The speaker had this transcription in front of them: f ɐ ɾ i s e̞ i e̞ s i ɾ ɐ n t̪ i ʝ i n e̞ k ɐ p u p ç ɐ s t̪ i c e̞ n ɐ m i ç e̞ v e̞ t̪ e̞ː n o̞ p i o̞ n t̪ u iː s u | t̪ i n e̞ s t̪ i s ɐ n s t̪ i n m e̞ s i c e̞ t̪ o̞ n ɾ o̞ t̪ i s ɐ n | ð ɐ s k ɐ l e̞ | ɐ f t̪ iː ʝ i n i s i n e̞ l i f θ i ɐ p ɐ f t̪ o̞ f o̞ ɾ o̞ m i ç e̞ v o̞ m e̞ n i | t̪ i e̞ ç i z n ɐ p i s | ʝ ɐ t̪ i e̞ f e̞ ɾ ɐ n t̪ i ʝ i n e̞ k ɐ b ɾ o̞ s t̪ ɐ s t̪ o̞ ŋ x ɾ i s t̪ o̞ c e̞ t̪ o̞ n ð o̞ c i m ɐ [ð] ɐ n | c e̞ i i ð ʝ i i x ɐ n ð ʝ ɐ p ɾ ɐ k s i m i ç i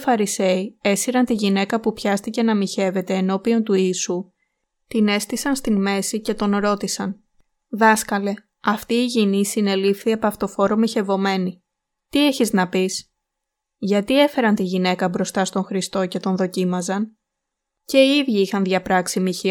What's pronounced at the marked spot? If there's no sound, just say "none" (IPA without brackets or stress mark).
z